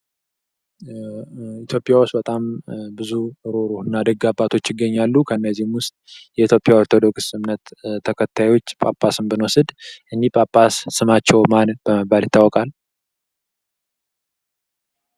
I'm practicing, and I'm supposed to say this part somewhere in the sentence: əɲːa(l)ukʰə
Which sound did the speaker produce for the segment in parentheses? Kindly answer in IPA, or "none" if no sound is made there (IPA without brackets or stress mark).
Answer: lː